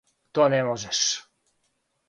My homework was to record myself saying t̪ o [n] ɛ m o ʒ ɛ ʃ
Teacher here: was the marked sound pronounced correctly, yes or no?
yes